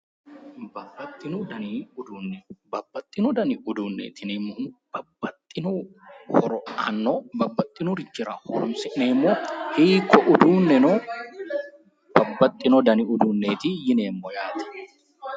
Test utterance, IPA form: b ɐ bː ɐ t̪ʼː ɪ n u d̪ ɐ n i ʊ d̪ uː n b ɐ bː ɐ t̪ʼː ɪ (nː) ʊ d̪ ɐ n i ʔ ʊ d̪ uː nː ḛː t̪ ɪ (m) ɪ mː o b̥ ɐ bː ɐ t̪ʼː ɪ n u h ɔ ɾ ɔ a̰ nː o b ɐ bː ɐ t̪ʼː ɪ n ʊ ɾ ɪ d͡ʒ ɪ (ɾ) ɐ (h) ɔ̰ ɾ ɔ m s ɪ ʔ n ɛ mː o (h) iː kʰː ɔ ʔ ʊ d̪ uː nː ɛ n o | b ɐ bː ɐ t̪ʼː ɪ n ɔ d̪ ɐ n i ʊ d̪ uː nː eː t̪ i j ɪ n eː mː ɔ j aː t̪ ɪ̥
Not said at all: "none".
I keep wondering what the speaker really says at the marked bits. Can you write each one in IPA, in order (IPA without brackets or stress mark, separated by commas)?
n, n, ɾ, h, h